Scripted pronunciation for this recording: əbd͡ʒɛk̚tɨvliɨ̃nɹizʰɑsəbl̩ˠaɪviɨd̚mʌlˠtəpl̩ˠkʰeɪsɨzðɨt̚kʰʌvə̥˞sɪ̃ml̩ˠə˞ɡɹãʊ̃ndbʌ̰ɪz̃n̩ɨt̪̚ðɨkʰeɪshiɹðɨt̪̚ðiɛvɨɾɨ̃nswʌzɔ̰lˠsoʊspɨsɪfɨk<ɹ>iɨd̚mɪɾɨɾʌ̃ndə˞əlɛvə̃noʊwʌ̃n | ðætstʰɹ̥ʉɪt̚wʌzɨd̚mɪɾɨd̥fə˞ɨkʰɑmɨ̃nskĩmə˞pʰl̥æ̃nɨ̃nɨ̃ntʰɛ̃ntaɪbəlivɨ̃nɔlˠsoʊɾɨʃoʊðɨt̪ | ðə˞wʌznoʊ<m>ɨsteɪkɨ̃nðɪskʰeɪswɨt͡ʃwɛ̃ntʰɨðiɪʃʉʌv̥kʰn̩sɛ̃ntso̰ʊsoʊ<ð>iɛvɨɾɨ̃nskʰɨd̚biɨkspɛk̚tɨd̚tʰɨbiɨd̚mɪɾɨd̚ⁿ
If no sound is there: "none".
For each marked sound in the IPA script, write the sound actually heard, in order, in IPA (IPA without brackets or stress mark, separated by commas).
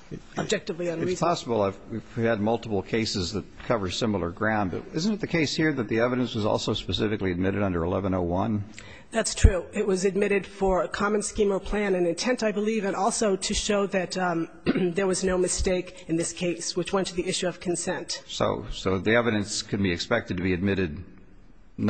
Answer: l, m, ð